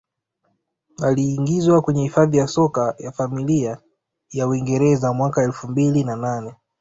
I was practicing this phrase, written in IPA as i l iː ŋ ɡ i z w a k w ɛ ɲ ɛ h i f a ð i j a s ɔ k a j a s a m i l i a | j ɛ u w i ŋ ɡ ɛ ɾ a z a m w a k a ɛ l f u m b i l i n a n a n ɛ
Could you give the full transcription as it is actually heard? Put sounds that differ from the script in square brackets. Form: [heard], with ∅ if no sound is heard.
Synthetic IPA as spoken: [a] l iː ŋ ɡ i z w a k w ɛ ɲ ɛ h i f a ð i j a s ɔ k a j a [f] a m i l i a | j [a] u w i ŋ ɡ ɛ ɾ [ɛ] z a m w a k a ɛ l f u m b i l i n a n a n ɛ